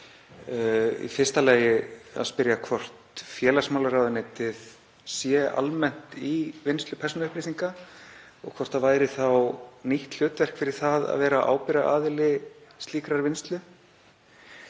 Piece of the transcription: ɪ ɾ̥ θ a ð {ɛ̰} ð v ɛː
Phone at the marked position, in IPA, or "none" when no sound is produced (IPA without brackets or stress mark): a̰